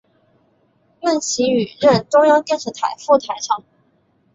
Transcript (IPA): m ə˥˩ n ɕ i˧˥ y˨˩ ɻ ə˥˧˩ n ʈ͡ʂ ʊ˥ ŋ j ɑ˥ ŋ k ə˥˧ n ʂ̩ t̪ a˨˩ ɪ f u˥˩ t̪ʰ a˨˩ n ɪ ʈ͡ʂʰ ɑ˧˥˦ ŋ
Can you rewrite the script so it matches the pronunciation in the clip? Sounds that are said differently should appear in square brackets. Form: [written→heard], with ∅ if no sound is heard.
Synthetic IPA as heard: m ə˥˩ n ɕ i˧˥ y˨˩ ɻ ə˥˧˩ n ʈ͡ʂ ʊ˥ ŋ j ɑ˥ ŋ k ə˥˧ n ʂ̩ [t̪→t̪ʰ] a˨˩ ɪ f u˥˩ t̪ʰ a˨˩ [n→∅] ɪ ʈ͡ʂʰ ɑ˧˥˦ ŋ